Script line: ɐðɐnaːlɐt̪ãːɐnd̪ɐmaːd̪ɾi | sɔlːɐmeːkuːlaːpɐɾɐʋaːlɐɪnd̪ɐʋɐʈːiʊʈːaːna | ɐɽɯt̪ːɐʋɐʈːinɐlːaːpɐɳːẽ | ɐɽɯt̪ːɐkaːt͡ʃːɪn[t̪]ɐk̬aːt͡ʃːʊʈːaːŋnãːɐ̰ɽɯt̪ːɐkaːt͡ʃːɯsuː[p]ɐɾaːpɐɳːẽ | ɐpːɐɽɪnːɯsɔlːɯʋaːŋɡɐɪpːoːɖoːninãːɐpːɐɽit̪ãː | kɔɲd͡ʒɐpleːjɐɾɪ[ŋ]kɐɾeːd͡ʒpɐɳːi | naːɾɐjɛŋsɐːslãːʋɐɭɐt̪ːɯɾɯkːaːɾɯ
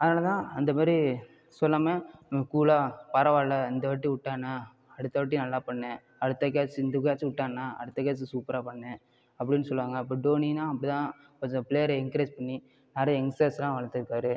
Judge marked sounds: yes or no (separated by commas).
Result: no, yes, yes